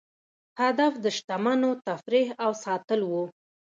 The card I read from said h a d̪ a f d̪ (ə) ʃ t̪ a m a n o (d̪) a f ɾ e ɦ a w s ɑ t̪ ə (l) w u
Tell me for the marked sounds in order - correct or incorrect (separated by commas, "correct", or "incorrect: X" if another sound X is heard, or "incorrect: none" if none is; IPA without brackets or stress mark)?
correct, incorrect: t̪, correct